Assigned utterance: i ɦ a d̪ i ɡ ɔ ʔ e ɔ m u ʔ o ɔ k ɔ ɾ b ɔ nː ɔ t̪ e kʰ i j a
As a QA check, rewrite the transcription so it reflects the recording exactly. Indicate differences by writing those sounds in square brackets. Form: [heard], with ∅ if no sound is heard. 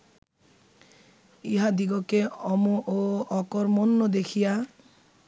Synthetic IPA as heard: i ɦ a d̪ i ɡ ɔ [k] e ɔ m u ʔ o ɔ k ɔ ɾ [m] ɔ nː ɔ [d̪] e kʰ i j a